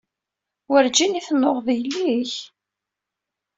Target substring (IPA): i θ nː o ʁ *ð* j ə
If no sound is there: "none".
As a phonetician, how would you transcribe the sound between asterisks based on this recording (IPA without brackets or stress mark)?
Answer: ð